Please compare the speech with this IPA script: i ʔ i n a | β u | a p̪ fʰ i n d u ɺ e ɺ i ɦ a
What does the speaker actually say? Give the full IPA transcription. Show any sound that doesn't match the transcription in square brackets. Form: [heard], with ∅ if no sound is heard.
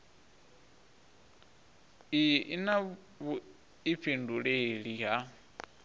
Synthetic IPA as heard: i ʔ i n a | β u | [i] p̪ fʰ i n d u ɺ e ɺ i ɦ a